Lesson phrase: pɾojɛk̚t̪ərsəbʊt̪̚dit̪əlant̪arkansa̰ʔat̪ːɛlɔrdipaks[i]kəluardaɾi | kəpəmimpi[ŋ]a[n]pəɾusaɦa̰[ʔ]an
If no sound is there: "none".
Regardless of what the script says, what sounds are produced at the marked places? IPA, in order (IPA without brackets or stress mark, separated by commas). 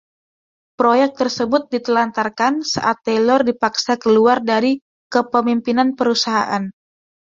a, n, n, ʔ